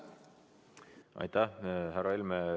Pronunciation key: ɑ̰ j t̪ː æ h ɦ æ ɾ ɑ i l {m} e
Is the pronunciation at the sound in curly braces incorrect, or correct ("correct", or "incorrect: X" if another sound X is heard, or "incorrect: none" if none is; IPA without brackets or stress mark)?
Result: correct